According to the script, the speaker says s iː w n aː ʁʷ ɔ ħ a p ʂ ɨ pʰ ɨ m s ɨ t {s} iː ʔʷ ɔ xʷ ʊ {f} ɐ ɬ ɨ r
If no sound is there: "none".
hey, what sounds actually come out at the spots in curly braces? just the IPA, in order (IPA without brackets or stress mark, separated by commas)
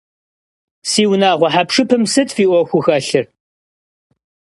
f, x